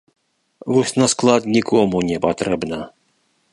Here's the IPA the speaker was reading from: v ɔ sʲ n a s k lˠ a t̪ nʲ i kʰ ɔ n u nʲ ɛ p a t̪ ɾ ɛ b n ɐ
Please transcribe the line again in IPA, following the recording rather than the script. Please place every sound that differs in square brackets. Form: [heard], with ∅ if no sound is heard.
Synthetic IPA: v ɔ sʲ n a s k lˠ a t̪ nʲ i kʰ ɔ [m] u nʲ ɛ p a t̪ ɾ ɛ b n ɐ